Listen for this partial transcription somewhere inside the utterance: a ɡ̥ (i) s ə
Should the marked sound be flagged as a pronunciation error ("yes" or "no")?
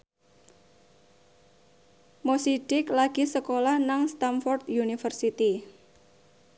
no